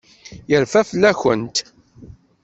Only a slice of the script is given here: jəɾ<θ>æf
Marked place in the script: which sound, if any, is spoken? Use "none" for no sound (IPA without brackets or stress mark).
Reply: f